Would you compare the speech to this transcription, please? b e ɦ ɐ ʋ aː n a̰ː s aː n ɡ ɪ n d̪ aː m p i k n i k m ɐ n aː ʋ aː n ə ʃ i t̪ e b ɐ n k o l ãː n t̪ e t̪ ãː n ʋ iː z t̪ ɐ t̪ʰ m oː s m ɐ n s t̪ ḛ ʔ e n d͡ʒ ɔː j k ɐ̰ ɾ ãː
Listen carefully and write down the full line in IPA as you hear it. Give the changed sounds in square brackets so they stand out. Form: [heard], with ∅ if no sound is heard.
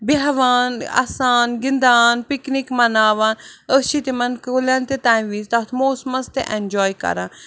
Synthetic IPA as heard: b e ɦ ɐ ʋ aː n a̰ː s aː n ɡ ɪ n d̪ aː [n] p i k n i k m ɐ n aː ʋ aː n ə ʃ i t̪ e [m] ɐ n k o l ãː n t̪ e t̪ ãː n ʋ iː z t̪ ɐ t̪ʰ m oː s m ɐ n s t̪ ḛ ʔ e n d͡ʒ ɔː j k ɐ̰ ɾ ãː